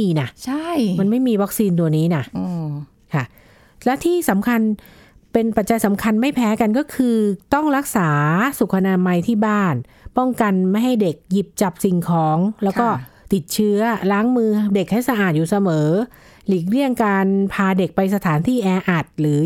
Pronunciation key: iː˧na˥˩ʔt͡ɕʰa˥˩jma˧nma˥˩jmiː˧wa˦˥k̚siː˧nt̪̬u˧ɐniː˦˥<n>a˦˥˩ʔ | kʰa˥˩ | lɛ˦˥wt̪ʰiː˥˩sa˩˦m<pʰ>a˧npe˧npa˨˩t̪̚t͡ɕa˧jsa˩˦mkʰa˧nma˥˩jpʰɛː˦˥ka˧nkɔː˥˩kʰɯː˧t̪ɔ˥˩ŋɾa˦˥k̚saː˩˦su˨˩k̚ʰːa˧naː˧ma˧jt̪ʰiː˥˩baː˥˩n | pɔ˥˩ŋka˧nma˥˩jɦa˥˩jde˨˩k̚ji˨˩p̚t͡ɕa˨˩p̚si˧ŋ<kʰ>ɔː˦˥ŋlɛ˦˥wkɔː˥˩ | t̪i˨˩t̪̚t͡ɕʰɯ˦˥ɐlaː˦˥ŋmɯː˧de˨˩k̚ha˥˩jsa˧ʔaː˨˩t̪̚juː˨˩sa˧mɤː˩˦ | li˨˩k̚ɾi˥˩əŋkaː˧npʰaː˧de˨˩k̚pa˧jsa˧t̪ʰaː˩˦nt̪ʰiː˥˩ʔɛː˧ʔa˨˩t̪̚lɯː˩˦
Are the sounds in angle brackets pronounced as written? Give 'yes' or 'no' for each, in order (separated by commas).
yes, no, yes